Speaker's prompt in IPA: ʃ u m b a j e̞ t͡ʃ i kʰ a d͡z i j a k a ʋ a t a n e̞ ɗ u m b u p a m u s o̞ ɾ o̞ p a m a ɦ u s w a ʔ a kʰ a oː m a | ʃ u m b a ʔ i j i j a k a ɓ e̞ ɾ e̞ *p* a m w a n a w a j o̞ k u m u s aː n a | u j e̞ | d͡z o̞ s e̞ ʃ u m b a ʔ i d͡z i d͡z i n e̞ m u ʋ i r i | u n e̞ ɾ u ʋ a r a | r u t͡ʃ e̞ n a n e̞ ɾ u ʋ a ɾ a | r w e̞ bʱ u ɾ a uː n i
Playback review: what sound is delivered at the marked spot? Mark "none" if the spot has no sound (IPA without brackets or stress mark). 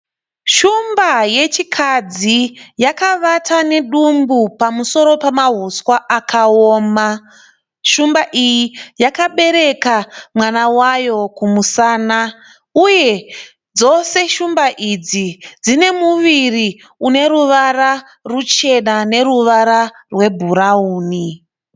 k